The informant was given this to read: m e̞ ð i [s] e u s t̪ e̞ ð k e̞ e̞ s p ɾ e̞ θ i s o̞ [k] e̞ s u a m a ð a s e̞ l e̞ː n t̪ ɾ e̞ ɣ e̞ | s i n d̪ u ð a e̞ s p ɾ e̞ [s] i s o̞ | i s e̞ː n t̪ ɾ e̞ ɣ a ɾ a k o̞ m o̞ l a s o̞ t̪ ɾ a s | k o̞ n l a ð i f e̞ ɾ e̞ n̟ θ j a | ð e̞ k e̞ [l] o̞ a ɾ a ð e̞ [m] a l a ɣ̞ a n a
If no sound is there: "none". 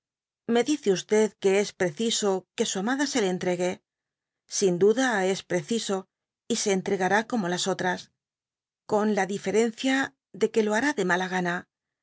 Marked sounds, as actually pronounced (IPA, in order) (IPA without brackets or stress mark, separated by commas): θ, k, θ, l, m